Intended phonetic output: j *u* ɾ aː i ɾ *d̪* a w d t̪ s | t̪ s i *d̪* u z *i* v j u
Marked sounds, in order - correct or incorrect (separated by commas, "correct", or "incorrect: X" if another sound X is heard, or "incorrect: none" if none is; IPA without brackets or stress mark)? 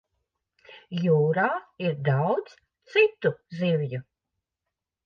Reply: incorrect: uː, correct, incorrect: t̪, correct